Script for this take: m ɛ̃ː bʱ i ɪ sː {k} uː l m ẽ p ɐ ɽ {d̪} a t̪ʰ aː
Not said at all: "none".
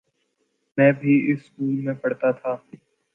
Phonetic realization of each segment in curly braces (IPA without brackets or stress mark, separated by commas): k, t̪